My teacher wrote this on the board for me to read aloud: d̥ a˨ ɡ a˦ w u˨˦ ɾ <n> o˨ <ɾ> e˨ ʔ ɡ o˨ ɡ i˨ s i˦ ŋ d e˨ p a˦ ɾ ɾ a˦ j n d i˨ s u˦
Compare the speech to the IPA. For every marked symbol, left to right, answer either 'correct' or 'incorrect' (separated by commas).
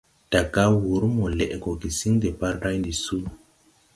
incorrect, incorrect